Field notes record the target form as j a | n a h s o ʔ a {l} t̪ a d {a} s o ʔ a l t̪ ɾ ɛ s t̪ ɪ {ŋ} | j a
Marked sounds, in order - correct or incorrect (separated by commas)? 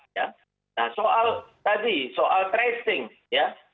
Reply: correct, incorrect, correct